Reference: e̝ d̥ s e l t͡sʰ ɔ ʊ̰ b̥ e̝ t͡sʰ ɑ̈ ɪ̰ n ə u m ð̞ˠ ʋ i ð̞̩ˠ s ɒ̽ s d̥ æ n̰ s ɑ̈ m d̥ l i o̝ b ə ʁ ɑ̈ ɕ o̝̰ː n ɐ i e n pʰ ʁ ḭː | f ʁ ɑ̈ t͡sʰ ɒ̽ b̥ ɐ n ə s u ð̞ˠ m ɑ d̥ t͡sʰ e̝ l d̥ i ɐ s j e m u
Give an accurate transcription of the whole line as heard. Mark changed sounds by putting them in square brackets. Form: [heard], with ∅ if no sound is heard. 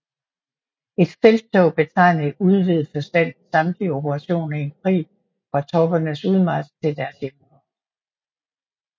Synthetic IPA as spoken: e̝ d̥ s e l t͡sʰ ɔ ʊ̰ b̥ e̝ t͡sʰ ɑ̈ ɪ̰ n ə u [∅] ð̞ˠ ʋ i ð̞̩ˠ [f] ɒ̽ s d̥ æ n̰ s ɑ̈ m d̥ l i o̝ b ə ʁ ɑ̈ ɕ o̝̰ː n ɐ i e n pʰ ʁ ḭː | f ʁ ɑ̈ t͡sʰ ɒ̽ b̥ ɐ n ə s u ð̞ˠ m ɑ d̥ t͡sʰ e̝ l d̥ [æ] ɐ s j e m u

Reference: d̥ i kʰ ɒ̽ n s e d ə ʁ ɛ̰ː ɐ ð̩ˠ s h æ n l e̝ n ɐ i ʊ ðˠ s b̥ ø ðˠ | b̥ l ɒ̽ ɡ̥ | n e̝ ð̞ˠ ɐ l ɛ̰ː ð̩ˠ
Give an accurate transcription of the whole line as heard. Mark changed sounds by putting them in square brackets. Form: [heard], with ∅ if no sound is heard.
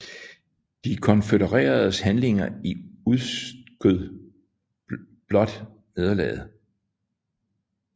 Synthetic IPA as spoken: d̥ i kʰ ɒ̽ n [f] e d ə ʁ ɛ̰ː ɐ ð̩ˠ s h æ n l e̝ [ŋ] ɐ i [u] ðˠ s [ɡ̥] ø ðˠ | b̥ l ɒ̽ [d̥] | n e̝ ð̞ˠ ɐ l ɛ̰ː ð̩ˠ

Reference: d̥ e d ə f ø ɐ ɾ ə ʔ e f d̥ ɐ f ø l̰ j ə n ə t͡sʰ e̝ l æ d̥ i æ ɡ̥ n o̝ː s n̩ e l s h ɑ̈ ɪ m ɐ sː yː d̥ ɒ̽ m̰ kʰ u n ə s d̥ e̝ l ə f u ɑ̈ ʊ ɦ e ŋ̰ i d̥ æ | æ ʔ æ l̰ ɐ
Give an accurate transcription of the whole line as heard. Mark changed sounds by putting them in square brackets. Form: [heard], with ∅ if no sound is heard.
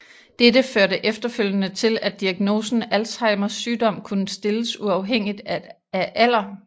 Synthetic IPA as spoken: d̥ e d ə f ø ɐ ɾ ə ʔ e f d̥ ɐ f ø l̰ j ə n ə t͡sʰ e̝ l æ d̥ i æ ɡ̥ n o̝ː s n̩ [æ] l s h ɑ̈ ɪ m ɐ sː yː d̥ ɒ̽ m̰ kʰ u n ə s d̥ e̝ l ə [s] u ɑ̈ ʊ ɦ e ŋ̰ i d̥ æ | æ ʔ æ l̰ ɐ

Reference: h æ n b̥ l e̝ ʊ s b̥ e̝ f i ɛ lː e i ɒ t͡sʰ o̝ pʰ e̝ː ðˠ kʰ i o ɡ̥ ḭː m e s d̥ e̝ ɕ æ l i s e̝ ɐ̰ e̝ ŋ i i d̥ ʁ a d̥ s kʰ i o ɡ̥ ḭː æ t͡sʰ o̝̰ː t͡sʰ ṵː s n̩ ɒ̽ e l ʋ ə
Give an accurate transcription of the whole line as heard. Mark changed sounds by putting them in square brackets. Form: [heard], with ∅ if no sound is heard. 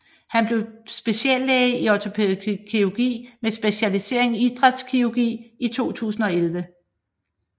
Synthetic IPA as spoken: h æ n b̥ l e̝ ʊ s b̥ e̝ [ɕ] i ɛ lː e i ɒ t͡sʰ o̝ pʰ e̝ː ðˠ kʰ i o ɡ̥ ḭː m e s [b̥] e̝ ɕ æ l i s e̝ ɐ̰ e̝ ŋ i i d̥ ʁ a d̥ s kʰ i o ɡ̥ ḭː [i] t͡sʰ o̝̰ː t͡sʰ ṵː s n̩ ɒ̽ e l ʋ ə

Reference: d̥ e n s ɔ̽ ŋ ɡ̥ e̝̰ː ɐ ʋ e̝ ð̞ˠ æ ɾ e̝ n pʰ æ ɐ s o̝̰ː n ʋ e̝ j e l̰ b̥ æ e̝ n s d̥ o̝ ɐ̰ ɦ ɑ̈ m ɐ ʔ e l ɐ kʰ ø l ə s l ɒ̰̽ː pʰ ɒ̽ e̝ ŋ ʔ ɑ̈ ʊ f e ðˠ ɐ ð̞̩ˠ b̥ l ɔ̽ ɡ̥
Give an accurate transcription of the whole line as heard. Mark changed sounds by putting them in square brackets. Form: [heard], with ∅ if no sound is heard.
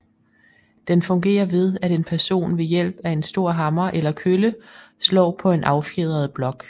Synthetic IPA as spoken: d̥ e n [f] ɔ̽ ŋ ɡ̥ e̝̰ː ɐ ʋ e̝ ð̞ˠ æ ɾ e̝ n pʰ æ ɐ s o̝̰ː n ʋ e̝ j e l̰ b̥ æ e̝ n s d̥ o̝ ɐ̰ ɦ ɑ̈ m ɐ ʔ e l ɐ kʰ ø l ə s l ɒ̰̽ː pʰ ɒ̽ e̝ [n] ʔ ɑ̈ ʊ f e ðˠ ɐ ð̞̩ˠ b̥ l [ɒ̽] ɡ̥

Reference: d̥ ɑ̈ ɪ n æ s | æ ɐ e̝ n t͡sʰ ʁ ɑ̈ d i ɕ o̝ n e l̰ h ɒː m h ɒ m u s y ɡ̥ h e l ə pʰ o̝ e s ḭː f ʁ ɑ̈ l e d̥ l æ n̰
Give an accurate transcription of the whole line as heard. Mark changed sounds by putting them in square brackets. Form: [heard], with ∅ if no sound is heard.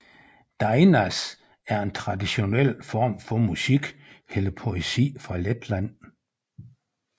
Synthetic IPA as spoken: d̥ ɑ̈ ɪ n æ s | æ ɐ e̝ n t͡sʰ ʁ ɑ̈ d i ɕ o̝ n e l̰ [f] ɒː m [f] ɒ m u s [i] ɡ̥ h e l ə pʰ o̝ e s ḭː f ʁ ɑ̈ l e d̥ l æ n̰

